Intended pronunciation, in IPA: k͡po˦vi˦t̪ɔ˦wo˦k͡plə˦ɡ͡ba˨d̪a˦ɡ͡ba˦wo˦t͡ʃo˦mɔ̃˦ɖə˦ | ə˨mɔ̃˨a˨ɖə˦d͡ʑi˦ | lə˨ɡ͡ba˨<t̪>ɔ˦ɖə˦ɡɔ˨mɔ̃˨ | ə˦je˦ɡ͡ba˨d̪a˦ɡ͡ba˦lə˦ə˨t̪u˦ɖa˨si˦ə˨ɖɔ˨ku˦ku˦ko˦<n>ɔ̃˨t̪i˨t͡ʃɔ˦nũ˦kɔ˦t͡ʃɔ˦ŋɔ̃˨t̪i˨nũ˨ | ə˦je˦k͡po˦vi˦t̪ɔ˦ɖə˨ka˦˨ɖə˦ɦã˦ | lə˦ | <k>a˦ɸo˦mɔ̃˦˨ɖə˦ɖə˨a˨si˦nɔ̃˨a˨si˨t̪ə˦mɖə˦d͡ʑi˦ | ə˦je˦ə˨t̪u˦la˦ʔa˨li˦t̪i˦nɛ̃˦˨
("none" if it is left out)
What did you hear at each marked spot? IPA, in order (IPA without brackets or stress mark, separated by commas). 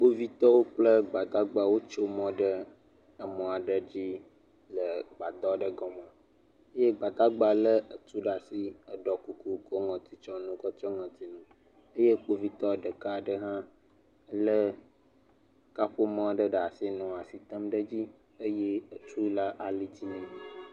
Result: d̪, ŋ, k